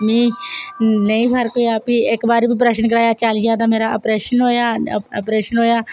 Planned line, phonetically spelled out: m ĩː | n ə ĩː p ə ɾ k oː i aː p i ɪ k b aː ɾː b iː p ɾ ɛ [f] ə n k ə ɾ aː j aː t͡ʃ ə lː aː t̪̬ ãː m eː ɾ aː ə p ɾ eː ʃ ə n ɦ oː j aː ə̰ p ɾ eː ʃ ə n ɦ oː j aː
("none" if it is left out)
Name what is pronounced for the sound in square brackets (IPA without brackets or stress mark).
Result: ʃ